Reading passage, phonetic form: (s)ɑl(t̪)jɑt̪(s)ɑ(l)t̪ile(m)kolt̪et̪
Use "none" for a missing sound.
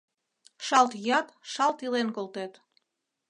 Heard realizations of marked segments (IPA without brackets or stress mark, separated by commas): ʃ, t̪, ʃ, l, n